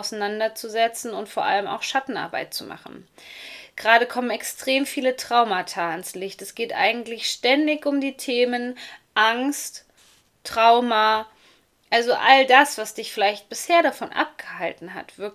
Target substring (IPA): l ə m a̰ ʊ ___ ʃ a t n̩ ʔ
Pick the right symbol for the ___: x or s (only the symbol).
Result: x